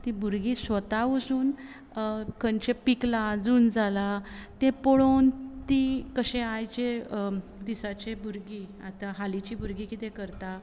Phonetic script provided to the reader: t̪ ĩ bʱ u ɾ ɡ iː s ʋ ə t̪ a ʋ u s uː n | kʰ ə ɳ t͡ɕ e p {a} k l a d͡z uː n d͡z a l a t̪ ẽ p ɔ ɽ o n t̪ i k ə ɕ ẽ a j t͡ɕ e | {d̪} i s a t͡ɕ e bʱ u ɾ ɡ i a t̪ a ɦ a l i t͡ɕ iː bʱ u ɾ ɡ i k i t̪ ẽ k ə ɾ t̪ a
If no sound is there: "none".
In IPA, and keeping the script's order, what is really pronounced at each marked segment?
i, d̪

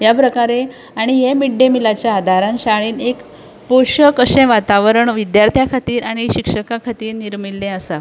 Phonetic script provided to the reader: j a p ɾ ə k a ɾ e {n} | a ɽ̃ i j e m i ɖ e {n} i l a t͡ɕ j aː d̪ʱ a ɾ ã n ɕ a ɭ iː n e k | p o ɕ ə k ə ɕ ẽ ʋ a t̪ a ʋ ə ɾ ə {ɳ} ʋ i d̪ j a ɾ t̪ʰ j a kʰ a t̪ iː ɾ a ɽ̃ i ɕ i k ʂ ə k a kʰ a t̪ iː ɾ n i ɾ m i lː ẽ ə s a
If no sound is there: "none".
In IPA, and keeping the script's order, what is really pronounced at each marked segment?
none, m, ɳ

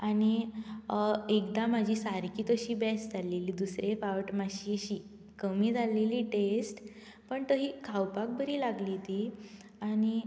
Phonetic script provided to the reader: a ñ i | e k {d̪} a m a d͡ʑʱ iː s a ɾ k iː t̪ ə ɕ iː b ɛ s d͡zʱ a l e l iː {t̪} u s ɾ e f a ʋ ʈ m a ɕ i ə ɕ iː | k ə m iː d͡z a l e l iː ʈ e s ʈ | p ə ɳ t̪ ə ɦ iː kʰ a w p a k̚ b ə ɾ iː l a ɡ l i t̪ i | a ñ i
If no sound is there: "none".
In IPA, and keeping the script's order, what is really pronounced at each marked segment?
d̪, d̪

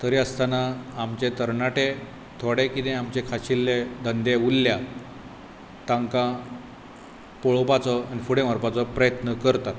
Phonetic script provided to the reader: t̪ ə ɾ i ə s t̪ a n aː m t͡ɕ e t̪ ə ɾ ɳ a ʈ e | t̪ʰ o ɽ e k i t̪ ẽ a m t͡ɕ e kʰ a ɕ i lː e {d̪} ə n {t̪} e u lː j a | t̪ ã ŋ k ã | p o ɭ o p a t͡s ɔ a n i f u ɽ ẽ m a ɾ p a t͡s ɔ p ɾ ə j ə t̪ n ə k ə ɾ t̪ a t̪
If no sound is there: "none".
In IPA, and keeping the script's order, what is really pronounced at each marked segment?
d̪, d̪

